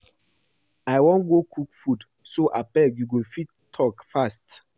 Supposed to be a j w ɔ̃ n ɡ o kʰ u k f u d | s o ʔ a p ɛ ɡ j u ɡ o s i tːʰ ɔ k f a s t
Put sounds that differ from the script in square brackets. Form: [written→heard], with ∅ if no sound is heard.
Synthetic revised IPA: a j w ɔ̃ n ɡ o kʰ u k f u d | s o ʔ a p ɛ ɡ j u ɡ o [s→f] i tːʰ ɔ k f a s t